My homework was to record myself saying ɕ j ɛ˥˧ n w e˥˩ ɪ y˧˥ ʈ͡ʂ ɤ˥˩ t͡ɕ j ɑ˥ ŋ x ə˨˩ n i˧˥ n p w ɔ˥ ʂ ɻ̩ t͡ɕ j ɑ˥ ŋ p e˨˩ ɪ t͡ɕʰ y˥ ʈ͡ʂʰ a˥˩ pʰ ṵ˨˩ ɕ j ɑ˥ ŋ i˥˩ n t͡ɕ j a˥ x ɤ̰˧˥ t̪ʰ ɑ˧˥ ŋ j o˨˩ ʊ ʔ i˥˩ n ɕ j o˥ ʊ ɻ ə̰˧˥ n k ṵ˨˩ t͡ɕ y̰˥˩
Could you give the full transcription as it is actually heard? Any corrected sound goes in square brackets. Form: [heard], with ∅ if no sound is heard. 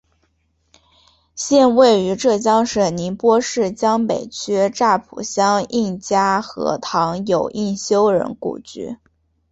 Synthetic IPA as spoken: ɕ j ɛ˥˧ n w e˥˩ ɪ y˧˥ ʈ͡ʂ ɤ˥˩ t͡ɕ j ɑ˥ ŋ [ʂ] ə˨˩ n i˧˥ n p w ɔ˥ ʂ ɻ̩ t͡ɕ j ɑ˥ ŋ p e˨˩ ɪ t͡ɕʰ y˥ [ʈ͡ʂ] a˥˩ pʰ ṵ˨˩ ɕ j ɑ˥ ŋ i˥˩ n t͡ɕ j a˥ x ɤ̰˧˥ t̪ʰ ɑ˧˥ ŋ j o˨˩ ʊ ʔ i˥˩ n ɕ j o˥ ʊ ɻ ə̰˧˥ n k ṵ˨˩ t͡ɕ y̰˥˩